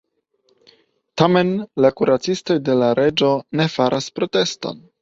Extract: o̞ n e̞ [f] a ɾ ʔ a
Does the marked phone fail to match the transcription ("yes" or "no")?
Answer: no